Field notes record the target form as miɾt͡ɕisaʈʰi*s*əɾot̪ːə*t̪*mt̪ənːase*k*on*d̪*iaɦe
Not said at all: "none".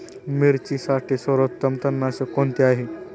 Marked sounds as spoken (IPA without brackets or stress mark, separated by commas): s, none, k, t̪